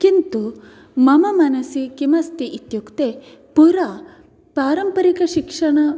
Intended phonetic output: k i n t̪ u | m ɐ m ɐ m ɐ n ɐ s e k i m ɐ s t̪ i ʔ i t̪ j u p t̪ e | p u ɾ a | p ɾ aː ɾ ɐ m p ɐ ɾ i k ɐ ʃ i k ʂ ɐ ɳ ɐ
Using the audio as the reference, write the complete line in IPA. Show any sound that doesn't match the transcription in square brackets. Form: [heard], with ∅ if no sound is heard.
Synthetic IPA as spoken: k i n t̪ u | m ɐ m ɐ m ɐ n ɐ s [i] k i m ɐ s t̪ i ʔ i t̪ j u [k] t̪ e | p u ɾ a | p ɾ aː ɾ ɐ m p ɐ ɾ i k ɐ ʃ i k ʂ ɐ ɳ ɐ